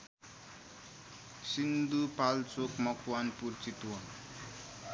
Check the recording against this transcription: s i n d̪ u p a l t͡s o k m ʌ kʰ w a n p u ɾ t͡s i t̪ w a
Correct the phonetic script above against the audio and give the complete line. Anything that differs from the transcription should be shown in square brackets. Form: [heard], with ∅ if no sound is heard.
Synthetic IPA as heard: s i n d̪ u p a l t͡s o k m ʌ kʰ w a n p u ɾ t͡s i t̪ w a